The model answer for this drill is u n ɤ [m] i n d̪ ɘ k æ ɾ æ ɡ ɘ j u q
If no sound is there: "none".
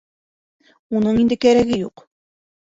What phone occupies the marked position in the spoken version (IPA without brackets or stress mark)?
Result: ɴ